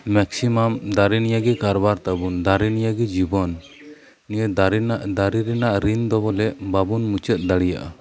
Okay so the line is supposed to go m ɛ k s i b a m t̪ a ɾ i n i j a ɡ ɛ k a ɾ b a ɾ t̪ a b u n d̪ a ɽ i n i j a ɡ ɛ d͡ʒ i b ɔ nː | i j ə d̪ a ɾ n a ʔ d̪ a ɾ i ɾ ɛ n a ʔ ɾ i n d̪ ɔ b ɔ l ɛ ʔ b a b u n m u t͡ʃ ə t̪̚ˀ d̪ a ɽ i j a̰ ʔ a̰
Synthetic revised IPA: m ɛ k s i m a m d̪ a ɾ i n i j a ɡ ɛ k a ɾ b a ɾ t̪ a b u n d̪ a ɾ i n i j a ɡ ɛ d͡ʒ i b ɔ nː | i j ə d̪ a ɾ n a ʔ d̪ a ɾ i ɾ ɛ n a ʔ ɾ i n d̪ ɔ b ɔ l ɛ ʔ b a b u n m u t͡ʃ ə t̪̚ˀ d̪ a ɽ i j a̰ ʔ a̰